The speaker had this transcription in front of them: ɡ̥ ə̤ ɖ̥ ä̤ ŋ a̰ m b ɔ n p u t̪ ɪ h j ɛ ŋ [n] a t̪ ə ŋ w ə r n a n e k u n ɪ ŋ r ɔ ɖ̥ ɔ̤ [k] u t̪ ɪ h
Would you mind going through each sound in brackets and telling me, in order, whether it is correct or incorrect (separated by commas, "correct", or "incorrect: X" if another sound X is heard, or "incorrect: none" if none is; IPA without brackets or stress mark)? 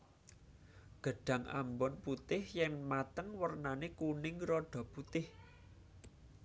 incorrect: m, incorrect: p